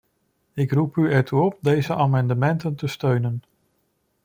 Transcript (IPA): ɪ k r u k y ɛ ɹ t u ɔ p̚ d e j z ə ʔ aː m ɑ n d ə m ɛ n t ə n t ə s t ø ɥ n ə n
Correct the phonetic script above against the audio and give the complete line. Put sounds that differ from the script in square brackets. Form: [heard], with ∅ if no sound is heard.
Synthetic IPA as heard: ɪ k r u [p] y ɛ ɹ t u ɔ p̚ d e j z ə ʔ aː m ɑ n d ə m ɛ n t ə n t ə s t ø ɥ n ə n